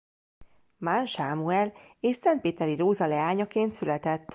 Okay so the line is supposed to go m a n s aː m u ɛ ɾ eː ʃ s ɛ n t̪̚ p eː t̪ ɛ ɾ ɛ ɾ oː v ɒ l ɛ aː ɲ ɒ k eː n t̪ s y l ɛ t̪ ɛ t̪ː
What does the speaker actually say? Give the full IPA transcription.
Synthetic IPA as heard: m a n ʃ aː m u ɛ l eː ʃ s ɛ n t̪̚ p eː t̪ ɛ ɾ i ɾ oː z ɒ l ɛ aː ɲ ɒ k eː n t̪ s y l ɛ t̪ ɛ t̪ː